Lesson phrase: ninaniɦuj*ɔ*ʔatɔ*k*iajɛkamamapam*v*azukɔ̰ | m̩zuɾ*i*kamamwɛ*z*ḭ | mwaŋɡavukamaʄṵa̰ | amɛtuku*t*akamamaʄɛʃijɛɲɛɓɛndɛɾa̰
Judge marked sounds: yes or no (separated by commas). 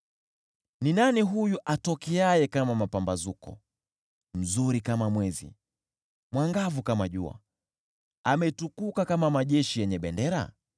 no, yes, no, yes, yes, no